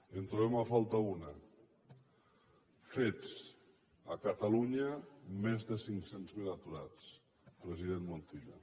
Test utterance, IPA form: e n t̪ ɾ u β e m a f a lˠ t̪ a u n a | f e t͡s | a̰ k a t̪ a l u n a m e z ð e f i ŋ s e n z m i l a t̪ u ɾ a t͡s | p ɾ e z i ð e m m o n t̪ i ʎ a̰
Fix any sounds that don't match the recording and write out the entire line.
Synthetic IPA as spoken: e n t̪ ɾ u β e m a f a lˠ t̪ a u n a | f e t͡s | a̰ k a t̪ a l u ɲ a m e z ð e s i ŋ s e n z m i l a t̪ u ɾ a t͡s | p ɾ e z i ð e n m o n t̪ i ʎ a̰